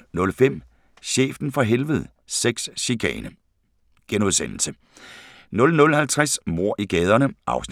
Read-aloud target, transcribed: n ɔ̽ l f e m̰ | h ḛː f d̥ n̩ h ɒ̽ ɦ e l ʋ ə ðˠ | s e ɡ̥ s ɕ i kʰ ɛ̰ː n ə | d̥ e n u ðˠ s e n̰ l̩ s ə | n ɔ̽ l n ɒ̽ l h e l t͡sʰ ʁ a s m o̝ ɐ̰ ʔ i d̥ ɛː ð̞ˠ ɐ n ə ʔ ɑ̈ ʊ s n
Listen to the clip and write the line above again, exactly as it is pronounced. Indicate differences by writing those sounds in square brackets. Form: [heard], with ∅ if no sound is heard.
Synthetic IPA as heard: n ɔ̽ l f e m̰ | [ɕ] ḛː f d̥ n̩ [f] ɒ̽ ɦ e l ʋ ə ðˠ | s e ɡ̥ s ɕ i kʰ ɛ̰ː n ə | [ɡ̥] e n u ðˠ s e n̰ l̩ s ə | n ɔ̽ l n [ɔ̽] l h [æ] l t͡sʰ ʁ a s m o̝ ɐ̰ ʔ i [ɡ̥] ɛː ð̞ˠ ɐ n ə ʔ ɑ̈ ʊ s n

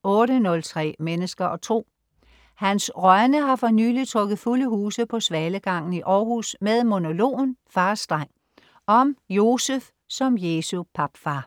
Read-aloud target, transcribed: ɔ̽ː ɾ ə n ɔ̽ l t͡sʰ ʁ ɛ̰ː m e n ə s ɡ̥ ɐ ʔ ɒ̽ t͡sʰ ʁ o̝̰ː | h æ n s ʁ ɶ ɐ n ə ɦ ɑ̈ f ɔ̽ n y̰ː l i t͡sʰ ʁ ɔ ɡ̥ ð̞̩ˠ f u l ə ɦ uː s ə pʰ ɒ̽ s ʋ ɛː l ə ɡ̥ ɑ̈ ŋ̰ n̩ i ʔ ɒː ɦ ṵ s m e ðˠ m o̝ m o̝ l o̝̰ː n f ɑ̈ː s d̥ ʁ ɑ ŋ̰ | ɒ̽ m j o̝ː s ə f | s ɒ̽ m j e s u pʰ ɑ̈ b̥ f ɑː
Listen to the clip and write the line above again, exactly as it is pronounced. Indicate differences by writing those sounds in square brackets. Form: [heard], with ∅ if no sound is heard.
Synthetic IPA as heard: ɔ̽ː ɾ ə n ɔ̽ l t͡sʰ ʁ ɛ̰ː m e n ə s ɡ̥ ɐ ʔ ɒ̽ t͡sʰ ʁ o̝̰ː | h æ n s ʁ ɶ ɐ n ə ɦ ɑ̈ f [ɒ̽] n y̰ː l i t͡sʰ ʁ ɔ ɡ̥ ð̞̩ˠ f u l ə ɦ uː s ə pʰ ɒ̽ s ʋ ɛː l ə ɡ̥ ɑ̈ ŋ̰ n̩ i ʔ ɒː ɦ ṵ s m e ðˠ m o̝ [n] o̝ l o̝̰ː n f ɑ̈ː s d̥ ʁ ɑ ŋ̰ | ɒ̽ m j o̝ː s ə f | s ɒ̽ m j e s u pʰ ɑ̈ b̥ f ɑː

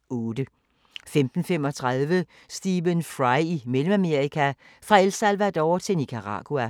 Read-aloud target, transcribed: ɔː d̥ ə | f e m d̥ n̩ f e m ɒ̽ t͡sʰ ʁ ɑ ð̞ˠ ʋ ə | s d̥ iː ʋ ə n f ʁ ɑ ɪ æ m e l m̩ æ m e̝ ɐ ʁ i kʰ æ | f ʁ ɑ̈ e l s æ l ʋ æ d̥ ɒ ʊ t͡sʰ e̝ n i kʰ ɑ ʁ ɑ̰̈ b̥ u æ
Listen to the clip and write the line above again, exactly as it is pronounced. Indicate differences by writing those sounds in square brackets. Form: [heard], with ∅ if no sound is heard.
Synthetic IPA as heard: ɔː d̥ ə | f e m d̥ n̩ f e m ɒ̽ t͡sʰ ʁ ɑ ð̞ˠ ʋ ə | s d̥ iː ʋ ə n f ʁ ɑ ɪ [i] m e l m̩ æ m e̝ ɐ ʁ i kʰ æ | f ʁ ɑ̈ e l s æ l ʋ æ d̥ ɒ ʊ t͡sʰ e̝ n i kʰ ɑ ʁ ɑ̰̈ [ɡ̥] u æ

